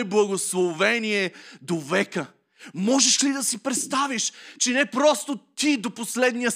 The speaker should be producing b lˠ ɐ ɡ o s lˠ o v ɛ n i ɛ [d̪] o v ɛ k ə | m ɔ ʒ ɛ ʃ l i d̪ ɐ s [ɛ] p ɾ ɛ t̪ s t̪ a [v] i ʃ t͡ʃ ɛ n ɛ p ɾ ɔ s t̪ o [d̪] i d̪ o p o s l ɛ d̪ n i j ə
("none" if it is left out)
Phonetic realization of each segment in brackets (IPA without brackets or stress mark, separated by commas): d̪, i, v, t̪